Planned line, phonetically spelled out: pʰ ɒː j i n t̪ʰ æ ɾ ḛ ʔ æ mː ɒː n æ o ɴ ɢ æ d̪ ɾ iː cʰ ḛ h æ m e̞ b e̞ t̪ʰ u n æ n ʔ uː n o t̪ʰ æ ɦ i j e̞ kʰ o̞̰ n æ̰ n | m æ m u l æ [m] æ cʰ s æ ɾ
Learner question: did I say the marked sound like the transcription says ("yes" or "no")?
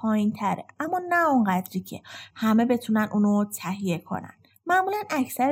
no